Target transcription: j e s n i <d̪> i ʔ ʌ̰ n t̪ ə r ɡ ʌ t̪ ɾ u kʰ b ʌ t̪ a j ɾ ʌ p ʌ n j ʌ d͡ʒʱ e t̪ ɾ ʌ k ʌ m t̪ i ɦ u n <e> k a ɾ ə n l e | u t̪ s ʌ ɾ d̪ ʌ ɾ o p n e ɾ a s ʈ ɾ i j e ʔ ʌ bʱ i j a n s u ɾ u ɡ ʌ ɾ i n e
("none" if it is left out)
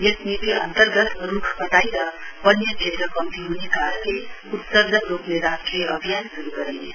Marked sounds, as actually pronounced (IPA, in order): t̪, e

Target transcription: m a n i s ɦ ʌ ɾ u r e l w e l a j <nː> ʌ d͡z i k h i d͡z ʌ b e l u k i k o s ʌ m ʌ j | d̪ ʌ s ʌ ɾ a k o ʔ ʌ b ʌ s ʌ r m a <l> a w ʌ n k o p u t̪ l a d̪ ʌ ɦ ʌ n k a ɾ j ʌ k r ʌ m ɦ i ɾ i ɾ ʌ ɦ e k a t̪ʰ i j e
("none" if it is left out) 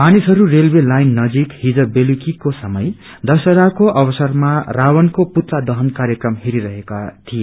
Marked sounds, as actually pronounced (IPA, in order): nː, r

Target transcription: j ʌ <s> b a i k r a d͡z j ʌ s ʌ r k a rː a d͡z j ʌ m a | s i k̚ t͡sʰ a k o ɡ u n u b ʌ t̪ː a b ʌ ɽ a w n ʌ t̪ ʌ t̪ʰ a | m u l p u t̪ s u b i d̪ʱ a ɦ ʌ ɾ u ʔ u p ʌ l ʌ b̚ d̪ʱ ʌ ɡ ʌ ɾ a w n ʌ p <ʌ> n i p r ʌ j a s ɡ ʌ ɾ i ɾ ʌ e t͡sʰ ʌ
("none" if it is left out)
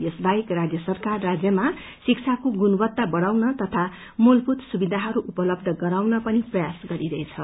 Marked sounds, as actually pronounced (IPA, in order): s, ʌ

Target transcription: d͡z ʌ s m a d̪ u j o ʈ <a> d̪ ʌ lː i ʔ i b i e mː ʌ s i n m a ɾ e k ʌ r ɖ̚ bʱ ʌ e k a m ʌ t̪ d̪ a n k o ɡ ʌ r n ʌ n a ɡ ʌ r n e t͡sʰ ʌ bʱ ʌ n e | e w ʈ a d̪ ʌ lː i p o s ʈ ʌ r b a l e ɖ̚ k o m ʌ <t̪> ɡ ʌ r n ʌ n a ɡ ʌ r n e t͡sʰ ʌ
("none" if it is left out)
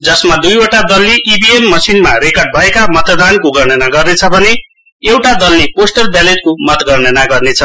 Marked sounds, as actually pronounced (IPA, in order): a, t̪

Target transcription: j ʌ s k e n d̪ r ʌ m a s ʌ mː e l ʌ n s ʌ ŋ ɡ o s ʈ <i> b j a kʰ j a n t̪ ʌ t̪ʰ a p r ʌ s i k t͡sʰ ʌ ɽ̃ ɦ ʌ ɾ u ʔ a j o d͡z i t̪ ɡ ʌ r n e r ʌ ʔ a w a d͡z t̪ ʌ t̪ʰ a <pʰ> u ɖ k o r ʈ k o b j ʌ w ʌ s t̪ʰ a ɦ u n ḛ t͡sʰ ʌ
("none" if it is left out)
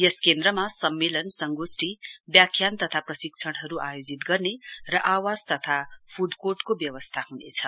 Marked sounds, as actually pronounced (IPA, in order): i, pʰ

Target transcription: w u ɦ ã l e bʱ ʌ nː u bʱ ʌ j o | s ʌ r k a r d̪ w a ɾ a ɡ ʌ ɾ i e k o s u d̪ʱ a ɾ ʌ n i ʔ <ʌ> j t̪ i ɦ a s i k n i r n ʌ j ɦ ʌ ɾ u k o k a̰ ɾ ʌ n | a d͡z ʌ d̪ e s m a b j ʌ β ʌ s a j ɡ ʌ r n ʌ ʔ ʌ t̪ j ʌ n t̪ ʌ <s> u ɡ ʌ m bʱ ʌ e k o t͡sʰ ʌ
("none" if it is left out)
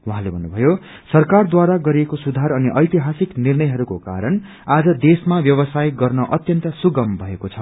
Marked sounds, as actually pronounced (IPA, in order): ʌ, s

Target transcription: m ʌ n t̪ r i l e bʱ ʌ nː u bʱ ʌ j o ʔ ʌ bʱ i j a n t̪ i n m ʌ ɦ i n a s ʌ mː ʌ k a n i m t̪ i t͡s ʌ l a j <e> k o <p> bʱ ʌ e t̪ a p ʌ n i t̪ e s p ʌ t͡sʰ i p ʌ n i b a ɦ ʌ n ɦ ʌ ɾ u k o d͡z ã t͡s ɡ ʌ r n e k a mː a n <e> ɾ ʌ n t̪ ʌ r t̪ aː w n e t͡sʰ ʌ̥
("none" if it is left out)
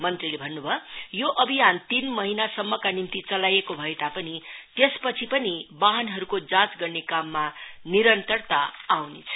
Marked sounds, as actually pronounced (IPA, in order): e, none, i

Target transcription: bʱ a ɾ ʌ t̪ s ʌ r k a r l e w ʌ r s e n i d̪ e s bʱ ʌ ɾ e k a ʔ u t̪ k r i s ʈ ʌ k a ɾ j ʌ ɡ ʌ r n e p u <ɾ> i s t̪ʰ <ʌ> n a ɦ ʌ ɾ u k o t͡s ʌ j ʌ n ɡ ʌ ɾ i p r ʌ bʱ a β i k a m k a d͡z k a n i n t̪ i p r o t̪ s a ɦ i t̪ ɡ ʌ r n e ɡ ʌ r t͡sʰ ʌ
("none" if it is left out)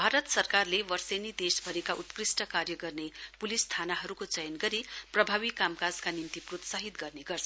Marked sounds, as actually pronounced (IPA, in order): l, a

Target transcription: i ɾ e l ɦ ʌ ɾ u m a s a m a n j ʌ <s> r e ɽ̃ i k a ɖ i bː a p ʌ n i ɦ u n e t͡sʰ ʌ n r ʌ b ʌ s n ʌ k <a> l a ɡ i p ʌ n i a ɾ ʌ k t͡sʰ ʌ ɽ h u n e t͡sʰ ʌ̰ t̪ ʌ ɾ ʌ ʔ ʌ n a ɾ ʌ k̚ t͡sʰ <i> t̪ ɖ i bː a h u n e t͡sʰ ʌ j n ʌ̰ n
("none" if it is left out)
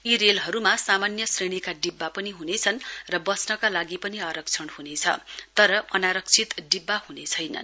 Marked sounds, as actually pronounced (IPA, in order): s, a, i

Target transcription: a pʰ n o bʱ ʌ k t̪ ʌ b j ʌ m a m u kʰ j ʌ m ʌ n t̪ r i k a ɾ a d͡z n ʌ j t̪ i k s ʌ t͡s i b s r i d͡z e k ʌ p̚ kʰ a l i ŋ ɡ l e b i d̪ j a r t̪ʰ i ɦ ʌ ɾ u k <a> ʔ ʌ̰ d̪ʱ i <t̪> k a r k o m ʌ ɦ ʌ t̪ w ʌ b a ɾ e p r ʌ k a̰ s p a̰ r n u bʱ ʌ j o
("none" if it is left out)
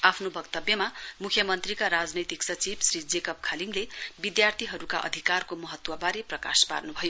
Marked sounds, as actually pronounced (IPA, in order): a, none

